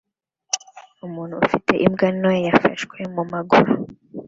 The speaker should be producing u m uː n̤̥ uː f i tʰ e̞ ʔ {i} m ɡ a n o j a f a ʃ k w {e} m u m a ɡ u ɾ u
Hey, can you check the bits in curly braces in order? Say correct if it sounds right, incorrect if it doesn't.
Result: correct, correct

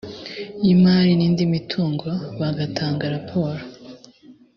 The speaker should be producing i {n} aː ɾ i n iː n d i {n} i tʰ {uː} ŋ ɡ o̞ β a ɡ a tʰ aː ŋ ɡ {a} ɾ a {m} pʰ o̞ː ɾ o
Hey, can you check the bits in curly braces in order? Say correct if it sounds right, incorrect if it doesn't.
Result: incorrect: m, incorrect: m, correct, correct, incorrect: none

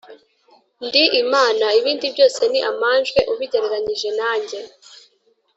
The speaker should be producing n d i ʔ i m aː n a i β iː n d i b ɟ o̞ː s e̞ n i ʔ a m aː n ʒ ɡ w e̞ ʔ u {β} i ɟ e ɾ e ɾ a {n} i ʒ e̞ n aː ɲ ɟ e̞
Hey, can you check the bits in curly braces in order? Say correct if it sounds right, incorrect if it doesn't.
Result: correct, incorrect: ɲ

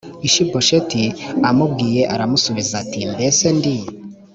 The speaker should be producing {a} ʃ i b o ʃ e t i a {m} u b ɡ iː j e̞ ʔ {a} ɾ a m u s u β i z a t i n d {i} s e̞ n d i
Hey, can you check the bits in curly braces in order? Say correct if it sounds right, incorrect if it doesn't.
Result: incorrect: i, correct, correct, incorrect: e

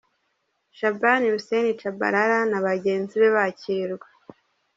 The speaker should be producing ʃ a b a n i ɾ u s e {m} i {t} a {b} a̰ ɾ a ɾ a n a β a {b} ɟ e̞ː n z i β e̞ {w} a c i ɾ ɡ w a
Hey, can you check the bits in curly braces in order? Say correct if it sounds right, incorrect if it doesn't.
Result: incorrect: n, incorrect: t͡ʃ, correct, incorrect: none, incorrect: β

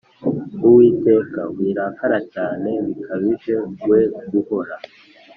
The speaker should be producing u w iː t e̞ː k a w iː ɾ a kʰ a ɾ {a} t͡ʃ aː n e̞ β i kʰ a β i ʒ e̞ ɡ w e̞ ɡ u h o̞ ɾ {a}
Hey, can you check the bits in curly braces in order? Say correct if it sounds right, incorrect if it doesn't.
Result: correct, correct

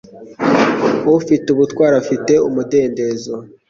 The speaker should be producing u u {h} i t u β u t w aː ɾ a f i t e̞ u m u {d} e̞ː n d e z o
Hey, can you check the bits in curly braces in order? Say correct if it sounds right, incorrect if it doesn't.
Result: incorrect: f, correct

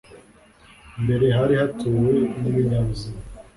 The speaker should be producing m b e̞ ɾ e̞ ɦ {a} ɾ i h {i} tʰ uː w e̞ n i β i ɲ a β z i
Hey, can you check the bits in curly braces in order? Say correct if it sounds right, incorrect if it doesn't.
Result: correct, incorrect: a

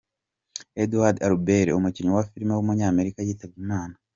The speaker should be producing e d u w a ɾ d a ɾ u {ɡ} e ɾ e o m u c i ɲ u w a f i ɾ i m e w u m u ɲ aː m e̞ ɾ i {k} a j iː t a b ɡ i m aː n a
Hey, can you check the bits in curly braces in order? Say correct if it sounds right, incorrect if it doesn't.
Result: incorrect: b, correct

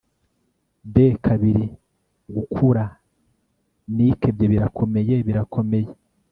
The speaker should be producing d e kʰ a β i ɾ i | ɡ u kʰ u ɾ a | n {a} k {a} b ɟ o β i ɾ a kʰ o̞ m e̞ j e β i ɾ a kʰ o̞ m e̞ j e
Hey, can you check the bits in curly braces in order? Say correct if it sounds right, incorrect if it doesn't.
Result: incorrect: i, incorrect: e

